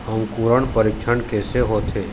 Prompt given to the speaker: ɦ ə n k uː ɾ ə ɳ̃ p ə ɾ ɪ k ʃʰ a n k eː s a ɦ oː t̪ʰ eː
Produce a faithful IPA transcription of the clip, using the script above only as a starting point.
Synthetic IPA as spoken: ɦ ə m k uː ɾ ə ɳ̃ p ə ɾ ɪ k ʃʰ ə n k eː s e ɦ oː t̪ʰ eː